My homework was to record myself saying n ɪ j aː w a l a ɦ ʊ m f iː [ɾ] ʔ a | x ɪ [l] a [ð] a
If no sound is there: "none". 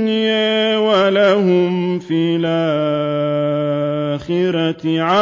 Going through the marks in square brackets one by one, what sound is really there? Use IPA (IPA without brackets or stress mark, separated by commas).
l, ɾ, ʕ